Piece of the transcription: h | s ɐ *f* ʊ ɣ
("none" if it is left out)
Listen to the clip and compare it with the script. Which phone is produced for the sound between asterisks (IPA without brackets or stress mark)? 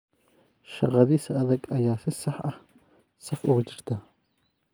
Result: f